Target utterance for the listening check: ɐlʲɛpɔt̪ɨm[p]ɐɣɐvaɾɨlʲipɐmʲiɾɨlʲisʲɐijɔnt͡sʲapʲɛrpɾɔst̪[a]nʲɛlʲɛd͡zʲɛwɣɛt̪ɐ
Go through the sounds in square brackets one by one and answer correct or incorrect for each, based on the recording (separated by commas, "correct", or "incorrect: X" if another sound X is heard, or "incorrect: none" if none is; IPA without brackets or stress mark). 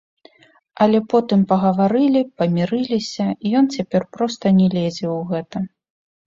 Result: correct, incorrect: ɐ